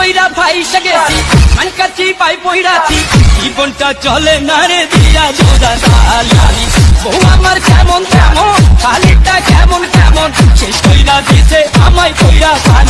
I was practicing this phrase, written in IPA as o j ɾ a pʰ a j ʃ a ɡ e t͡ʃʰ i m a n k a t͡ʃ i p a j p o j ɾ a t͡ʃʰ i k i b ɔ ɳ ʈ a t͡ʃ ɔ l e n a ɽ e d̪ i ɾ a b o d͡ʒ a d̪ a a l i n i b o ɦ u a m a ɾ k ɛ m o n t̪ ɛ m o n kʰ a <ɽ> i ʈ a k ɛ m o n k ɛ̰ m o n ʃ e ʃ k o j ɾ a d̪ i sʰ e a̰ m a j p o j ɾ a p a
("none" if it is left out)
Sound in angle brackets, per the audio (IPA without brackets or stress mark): l